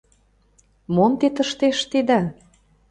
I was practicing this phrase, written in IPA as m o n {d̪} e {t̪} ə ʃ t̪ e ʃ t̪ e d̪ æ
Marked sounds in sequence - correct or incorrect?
incorrect: t̪, correct

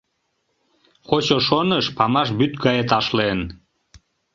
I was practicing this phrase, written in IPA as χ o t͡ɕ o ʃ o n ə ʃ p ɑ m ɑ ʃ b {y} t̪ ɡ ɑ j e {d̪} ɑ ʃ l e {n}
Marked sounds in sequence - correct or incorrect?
correct, incorrect: t̪, correct

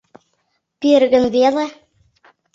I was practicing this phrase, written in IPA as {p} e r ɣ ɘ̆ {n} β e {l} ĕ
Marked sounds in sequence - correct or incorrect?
correct, correct, correct

